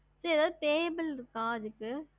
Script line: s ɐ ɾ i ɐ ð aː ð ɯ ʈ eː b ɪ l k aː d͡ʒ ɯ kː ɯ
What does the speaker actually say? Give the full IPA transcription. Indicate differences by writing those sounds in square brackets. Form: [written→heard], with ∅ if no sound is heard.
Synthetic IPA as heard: s ɐ ɾ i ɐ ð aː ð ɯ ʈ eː b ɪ l k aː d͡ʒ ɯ kː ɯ